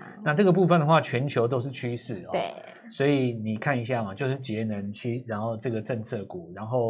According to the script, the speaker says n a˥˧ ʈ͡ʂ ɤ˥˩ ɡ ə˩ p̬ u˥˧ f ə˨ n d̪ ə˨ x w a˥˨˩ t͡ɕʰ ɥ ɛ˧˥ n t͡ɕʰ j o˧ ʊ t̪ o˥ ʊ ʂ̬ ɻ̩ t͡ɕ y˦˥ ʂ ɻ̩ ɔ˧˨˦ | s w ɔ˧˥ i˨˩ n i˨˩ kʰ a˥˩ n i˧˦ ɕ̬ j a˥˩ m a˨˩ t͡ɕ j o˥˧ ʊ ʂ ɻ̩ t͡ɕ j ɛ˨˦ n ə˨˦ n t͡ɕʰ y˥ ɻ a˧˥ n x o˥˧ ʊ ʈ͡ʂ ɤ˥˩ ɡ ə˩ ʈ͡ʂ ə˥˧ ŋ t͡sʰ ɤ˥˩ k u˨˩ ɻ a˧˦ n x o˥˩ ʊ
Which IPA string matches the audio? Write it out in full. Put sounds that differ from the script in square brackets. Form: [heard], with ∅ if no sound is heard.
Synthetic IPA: n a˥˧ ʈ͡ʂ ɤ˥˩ ɡ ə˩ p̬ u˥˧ f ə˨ n d̪ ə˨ x w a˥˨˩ t͡ɕʰ ɥ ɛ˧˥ n t͡ɕʰ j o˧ ʊ t̪ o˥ ʊ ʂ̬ ɻ̩ [t͡ɕʰ] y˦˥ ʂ ɻ̩ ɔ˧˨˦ | s w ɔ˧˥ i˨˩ n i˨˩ kʰ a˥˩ n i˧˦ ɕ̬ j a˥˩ m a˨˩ t͡ɕ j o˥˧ ʊ ʂ ɻ̩ t͡ɕ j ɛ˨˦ n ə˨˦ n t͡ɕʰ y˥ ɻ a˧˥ n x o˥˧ ʊ ʈ͡ʂ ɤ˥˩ ɡ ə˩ ʈ͡ʂ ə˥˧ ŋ t͡sʰ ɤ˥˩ k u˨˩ ɻ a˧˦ n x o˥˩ ʊ